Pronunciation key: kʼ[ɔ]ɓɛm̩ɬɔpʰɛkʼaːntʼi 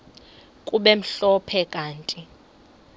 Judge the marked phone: incorrect: u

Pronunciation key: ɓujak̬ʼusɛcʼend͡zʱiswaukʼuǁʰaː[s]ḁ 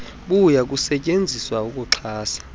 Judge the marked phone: correct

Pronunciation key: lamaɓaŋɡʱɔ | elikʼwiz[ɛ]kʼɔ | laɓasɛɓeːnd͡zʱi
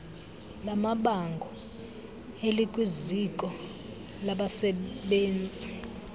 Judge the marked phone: incorrect: i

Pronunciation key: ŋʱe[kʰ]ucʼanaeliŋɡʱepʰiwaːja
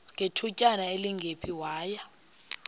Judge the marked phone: incorrect: tʰ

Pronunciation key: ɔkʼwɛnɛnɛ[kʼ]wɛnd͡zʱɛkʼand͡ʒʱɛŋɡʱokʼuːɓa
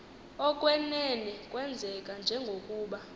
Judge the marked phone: correct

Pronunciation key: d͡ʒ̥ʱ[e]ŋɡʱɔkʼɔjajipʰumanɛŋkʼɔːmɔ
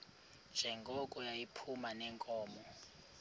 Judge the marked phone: incorrect: ɛ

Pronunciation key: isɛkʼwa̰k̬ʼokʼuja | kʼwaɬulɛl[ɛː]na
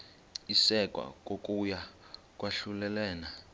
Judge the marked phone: correct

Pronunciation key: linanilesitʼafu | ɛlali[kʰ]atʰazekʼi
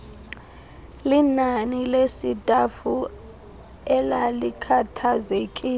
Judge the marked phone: correct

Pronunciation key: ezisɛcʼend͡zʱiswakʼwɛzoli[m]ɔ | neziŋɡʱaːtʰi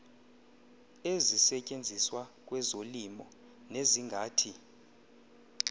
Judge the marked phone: correct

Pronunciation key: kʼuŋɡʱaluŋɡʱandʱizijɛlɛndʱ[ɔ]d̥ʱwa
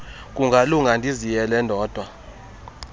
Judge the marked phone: incorrect: ɔː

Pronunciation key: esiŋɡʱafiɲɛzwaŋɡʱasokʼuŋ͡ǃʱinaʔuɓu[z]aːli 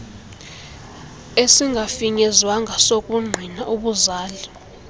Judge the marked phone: correct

